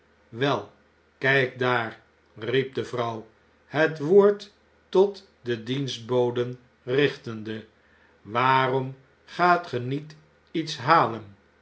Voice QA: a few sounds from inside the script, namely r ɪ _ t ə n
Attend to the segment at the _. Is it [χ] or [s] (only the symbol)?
χ